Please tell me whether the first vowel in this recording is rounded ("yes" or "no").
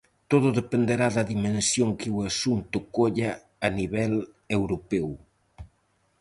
yes